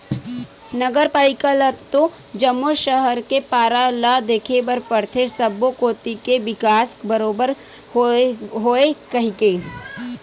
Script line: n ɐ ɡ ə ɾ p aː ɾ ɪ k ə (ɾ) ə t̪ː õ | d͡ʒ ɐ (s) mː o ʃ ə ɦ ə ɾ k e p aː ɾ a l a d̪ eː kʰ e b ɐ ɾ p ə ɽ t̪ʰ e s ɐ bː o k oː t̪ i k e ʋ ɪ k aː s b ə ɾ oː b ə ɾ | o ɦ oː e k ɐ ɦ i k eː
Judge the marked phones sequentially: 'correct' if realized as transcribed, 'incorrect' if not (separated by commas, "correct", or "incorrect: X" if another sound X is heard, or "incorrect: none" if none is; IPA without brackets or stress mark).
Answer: incorrect: l, incorrect: none